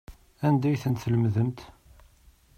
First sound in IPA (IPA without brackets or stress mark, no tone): æ